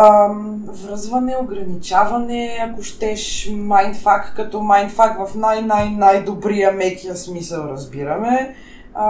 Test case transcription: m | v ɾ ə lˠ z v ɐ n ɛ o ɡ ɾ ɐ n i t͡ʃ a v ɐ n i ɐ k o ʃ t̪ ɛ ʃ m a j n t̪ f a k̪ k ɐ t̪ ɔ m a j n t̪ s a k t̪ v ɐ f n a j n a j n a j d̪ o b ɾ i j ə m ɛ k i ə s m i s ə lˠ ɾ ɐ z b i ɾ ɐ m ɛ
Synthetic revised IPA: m | v ɾ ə z v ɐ n ɛ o ɡ ɾ ɐ n i t͡ʃ a v ɐ n ɛ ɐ k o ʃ t̪ ɛ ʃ m a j n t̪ f a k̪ k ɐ t̪ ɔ m a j n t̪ f a k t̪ v ɐ f n a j n a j n a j d̪ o b ɾ i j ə m ɛ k i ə s m i s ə lˠ ɾ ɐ z b i ɾ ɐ m ɛ